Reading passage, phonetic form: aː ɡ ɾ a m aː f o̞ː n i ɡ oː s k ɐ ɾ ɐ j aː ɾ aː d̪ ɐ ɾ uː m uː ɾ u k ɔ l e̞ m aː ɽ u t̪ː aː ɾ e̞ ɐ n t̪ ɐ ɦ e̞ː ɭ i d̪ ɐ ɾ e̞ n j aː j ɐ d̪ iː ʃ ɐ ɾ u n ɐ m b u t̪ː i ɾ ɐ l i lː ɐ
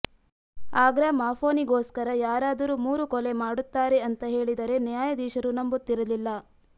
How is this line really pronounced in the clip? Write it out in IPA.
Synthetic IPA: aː ɡ ɾ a m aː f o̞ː n i ɡ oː s k ɐ ɾ ɐ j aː ɾ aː d̪ ɐ ɾ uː m uː ɾ u k ɔ l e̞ m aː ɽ u t̪ː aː ɾ e̞ ɐ n t̪ ɐ ɦ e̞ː ɭ i d̪ ɐ ɾ e̞ n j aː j ɐ d̪ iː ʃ ɐ ɾ u n ɐ m b u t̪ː i ɾ ɐ l i lː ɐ